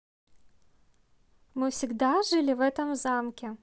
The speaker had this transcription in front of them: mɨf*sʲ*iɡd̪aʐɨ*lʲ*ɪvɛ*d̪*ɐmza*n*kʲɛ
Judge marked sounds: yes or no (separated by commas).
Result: yes, yes, no, no